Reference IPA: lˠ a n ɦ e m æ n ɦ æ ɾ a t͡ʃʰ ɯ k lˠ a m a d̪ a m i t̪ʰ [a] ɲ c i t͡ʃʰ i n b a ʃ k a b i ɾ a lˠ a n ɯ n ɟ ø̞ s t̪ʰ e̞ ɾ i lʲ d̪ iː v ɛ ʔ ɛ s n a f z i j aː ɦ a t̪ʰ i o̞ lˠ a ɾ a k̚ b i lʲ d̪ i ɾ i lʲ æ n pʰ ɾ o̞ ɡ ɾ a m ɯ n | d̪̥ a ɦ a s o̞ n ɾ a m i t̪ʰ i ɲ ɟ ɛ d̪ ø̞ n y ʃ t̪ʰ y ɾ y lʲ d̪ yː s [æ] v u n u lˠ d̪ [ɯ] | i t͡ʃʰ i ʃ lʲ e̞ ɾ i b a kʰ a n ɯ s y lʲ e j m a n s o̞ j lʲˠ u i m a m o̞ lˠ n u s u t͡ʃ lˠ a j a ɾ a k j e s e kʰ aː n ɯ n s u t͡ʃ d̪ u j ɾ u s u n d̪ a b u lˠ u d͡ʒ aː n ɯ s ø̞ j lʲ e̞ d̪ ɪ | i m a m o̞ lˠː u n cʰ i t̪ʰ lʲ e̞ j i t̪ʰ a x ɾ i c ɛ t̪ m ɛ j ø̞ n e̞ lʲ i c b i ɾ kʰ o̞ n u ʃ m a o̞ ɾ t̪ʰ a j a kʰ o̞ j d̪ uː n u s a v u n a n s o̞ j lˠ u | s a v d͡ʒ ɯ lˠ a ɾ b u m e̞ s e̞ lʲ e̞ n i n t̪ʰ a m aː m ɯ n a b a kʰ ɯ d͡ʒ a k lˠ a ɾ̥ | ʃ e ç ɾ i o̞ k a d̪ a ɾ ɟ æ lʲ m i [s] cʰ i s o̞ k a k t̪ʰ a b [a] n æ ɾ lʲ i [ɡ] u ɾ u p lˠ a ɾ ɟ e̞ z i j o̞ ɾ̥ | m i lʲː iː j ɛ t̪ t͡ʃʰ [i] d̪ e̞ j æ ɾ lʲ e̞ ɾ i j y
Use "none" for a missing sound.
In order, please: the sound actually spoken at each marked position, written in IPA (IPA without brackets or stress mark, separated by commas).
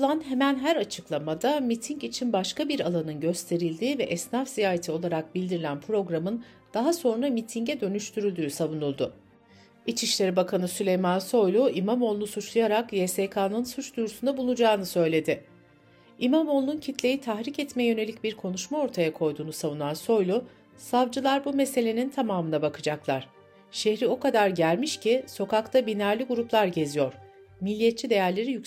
i, a, ʊ, ʃ, i, ɡ, i